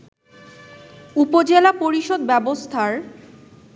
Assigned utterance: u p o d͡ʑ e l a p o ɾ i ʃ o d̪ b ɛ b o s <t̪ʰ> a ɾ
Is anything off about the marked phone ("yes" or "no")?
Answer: no